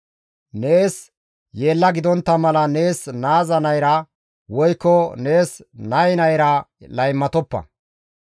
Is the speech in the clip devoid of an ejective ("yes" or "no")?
yes